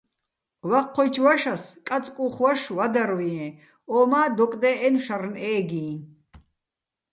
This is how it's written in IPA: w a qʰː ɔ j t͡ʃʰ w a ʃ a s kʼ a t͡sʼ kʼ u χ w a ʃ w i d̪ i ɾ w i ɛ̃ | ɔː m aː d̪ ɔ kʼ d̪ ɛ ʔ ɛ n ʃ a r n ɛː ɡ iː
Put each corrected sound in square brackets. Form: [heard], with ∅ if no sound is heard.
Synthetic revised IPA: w a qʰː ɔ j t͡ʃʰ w a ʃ a s kʼ a t͡sʼ kʼ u χ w a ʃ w [a] d̪ [a] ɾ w i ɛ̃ | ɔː m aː d̪ ɔ kʼ d̪ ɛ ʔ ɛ n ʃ a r n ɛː ɡ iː